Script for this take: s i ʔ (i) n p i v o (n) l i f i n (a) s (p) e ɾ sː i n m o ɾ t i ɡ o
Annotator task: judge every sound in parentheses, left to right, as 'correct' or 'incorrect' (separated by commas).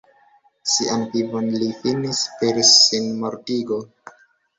incorrect, correct, incorrect, correct